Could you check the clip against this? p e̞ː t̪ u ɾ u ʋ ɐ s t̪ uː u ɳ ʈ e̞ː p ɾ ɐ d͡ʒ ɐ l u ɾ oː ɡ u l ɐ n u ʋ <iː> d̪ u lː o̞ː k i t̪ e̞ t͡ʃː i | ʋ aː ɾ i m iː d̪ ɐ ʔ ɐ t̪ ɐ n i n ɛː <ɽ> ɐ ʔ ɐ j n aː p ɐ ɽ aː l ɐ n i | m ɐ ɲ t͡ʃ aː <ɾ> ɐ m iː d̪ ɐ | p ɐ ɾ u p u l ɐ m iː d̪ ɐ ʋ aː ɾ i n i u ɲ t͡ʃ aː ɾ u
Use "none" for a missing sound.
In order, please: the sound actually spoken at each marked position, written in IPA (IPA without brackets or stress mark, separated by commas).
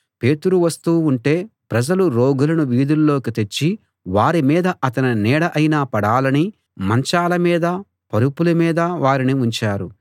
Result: iː, ɽ, l